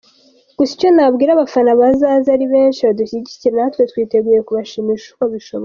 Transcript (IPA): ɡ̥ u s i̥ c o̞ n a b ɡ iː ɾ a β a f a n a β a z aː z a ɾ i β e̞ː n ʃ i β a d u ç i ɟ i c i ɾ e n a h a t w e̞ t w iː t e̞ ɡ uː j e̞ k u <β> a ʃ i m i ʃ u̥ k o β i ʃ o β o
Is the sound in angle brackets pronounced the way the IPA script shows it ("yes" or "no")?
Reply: yes